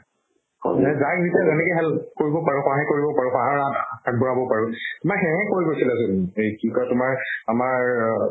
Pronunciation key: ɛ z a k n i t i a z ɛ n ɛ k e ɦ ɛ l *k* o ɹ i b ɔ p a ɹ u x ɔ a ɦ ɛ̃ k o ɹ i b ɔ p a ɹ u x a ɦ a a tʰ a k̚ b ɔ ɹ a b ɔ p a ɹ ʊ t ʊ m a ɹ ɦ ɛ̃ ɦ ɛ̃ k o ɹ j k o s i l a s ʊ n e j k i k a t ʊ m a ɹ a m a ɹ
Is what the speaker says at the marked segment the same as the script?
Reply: yes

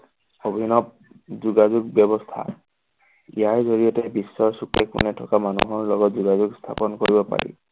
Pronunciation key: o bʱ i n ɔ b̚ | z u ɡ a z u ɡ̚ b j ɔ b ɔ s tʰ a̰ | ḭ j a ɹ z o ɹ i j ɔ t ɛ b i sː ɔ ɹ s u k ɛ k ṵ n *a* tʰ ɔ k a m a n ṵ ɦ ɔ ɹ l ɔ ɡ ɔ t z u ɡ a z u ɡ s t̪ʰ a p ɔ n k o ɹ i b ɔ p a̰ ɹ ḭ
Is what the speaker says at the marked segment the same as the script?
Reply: no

